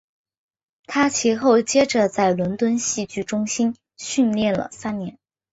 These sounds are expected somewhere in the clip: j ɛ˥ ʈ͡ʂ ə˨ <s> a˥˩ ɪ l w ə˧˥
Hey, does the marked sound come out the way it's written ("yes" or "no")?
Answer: no